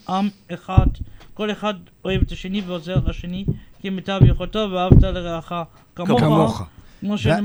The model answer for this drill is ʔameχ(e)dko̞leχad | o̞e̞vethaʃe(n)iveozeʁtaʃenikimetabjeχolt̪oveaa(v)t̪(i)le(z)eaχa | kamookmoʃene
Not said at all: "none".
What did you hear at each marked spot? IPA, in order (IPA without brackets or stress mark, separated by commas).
a, n, v, a, ʁ